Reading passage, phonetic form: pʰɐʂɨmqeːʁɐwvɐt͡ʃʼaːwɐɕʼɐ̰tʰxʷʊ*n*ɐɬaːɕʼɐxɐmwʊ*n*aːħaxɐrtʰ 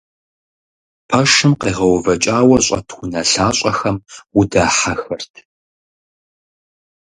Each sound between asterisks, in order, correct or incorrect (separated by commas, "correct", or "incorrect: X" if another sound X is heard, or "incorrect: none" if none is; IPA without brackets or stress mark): correct, incorrect: d